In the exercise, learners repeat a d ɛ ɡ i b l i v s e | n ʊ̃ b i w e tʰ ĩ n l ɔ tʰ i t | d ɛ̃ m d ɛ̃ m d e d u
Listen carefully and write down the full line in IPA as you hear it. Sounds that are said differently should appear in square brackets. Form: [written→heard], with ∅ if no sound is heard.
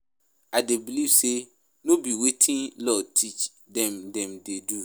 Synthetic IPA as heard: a d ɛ [ɡ→b] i [b→∅] l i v s e | n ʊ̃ b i w e tʰ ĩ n l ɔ tʰ i [t→t͡ʃ] | d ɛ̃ m d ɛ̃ m d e d u

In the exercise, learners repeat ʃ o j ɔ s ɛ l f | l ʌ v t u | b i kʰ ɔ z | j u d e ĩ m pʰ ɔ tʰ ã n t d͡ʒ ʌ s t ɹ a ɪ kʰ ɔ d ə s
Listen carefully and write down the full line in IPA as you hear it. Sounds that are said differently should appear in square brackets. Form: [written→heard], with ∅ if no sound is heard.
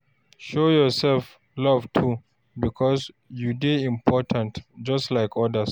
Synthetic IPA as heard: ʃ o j ɔ s ɛ l f | l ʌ v [t→tʰ] u | b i kʰ ɔ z | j u d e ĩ m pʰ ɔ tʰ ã n t d͡ʒ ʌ s t [ɹ→l] a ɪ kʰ ɔ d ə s

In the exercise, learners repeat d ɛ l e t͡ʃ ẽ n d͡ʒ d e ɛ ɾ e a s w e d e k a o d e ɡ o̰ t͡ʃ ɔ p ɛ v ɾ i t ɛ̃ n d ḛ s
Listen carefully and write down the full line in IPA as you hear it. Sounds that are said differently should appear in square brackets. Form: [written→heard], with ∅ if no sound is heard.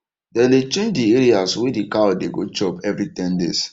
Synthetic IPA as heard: d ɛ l e t͡ʃ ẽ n d͡ʒ d [e→i] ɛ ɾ [e→i] a s w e d [e→i] k a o d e ɡ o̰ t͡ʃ ɔ p ɛ v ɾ i t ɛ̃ n d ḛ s

